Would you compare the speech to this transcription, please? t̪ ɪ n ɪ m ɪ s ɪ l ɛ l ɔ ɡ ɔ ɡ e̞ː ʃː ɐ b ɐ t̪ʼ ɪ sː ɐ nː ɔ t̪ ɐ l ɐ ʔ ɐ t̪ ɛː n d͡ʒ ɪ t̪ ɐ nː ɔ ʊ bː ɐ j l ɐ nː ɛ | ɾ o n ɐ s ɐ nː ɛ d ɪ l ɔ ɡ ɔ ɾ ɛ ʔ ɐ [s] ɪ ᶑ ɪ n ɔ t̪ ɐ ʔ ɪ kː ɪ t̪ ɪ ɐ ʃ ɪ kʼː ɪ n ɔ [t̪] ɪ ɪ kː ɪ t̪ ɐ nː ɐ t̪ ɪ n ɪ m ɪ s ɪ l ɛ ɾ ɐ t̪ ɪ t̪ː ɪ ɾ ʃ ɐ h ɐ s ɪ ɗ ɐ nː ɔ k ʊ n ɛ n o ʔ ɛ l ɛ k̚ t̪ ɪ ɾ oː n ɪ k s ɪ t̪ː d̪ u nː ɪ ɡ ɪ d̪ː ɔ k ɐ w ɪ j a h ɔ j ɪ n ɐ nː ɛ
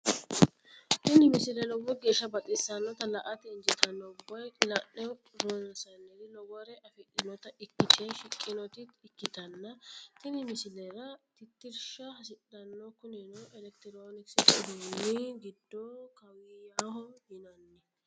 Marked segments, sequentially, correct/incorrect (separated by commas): incorrect, correct